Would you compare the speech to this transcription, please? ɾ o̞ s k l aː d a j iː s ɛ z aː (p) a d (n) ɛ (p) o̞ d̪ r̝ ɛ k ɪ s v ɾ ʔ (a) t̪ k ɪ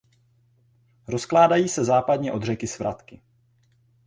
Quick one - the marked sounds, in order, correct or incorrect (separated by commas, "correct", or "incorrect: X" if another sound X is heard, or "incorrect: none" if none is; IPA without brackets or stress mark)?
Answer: correct, incorrect: ɲ, incorrect: ʔ, correct